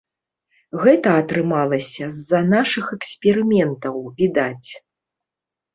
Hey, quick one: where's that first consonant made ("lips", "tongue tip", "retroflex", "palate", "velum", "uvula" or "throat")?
velum